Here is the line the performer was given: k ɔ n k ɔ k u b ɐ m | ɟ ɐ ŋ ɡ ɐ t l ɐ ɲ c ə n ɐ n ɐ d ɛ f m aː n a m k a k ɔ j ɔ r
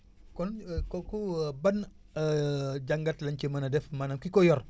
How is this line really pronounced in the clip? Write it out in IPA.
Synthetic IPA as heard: k ɔ n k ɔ k u b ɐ n | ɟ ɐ ŋ ɡ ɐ t l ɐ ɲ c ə m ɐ n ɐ d ɛ f m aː n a m k i k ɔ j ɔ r